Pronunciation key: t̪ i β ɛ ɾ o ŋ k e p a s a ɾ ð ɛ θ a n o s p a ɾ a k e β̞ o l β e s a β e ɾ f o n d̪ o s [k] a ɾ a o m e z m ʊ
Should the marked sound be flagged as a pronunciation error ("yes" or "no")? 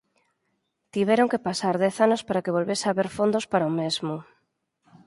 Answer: yes